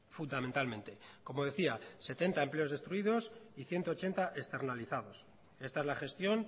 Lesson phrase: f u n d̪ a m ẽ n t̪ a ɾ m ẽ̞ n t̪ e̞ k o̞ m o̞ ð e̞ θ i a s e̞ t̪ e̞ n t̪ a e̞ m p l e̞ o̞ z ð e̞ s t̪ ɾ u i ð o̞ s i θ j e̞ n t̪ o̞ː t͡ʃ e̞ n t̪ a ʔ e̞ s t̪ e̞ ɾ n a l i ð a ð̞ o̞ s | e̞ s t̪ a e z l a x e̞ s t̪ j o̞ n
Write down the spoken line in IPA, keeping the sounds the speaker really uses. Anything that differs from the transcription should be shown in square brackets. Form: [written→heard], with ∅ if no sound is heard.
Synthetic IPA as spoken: f u n d̪ a m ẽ n t̪ a [ɾ→l] m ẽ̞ n t̪ e̞ k o̞ m o̞ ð e̞ θ i a s e̞ t̪ e̞ n t̪ a e̞ m p l e̞ o̞ z ð e̞ s t̪ ɾ u i ð o̞ s i θ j e̞ n t̪ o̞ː t͡ʃ e̞ n t̪ a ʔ e̞ s t̪ e̞ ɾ n a l i [ð→θ] a ð̞ o̞ s | e̞ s t̪ a e z l a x e̞ s t̪ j o̞ n